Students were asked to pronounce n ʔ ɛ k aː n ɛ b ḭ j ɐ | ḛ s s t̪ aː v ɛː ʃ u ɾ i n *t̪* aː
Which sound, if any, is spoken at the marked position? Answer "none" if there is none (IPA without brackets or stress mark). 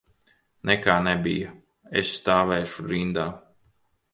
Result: d̪